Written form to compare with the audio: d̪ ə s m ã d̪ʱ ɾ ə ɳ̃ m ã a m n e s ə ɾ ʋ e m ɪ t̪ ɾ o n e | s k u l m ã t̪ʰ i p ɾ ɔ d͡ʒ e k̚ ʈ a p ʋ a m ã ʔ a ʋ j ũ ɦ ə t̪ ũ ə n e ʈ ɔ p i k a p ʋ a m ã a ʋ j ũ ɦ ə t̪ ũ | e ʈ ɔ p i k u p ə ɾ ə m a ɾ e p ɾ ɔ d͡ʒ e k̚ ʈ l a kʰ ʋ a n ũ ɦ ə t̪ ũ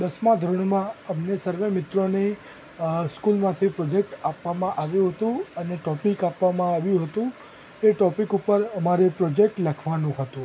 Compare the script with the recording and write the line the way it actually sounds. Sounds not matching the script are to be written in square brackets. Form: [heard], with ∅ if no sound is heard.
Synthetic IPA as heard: d̪ ə s m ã d̪ʱ ɾ ə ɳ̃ m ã [ə] m n e s ə ɾ ʋ e m ɪ t̪ ɾ o n e | s k u l m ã t̪ʰ i p ɾ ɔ d͡ʒ e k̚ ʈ a p ʋ a m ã ʔ a ʋ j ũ ɦ ə t̪ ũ ə n e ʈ ɔ p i k a p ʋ a m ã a ʋ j ũ ɦ ə t̪ ũ | e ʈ ɔ p i k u p ə ɾ ə m a ɾ e p ɾ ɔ d͡ʒ e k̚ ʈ l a kʰ ʋ a n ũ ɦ ə t̪ ũ